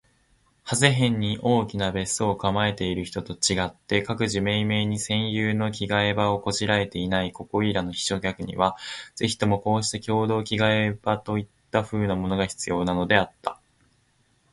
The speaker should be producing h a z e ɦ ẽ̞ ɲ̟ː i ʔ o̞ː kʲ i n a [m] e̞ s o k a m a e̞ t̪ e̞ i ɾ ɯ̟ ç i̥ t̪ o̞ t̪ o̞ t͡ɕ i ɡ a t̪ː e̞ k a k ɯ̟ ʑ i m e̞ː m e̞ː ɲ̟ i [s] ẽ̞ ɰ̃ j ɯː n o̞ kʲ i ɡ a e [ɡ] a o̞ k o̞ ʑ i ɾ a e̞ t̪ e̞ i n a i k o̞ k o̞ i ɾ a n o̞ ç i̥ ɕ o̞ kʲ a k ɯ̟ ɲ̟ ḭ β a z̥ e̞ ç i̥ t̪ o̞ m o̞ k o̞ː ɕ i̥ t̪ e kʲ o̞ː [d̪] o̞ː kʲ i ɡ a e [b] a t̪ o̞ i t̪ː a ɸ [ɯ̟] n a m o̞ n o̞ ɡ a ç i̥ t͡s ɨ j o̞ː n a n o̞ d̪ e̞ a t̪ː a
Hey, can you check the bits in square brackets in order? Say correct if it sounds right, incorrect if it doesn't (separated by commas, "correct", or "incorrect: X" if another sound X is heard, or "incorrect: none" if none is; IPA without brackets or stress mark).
incorrect: b, correct, incorrect: b, correct, correct, incorrect: ɯ̟ː